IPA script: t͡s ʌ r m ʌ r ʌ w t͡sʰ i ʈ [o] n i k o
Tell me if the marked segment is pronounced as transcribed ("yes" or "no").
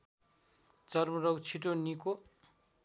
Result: yes